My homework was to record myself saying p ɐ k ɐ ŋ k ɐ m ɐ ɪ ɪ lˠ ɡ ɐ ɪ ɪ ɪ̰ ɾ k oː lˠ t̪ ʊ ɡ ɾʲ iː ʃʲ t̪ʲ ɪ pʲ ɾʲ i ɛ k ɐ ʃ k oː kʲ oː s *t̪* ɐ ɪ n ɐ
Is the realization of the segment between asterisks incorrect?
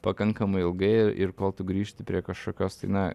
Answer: no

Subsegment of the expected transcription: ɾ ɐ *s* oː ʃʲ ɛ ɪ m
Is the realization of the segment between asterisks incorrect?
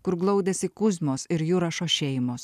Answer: yes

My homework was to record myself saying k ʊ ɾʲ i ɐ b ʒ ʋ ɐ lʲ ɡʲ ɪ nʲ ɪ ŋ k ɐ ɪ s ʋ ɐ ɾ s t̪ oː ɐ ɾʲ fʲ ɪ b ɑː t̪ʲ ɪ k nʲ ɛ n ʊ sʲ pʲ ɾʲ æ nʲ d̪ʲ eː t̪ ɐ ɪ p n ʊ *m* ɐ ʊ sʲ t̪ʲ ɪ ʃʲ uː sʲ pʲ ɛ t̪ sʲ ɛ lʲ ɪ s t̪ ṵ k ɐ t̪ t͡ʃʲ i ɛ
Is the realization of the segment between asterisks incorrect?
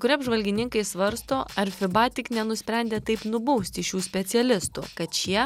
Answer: yes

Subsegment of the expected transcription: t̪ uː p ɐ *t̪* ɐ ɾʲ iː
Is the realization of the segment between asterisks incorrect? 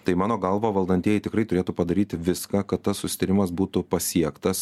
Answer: yes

